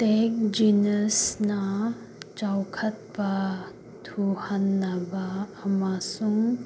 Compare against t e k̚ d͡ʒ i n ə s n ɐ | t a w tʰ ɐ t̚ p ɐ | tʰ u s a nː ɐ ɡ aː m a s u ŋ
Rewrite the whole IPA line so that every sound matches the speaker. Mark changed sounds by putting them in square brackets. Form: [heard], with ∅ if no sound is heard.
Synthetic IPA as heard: t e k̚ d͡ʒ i n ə s n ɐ | [t͡ʃ] a w [kʰ] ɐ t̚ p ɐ | tʰ u [h] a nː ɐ [b] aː m a s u ŋ